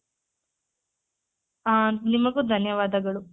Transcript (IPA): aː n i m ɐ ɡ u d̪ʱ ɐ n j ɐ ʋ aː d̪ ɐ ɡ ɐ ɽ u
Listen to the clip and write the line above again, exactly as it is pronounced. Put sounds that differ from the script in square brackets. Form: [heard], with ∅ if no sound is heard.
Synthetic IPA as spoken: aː n i m ɐ ɡ u d̪ʱ ɐ n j ɐ ʋ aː d̪ ɐ ɡ ɐ [ɭ] u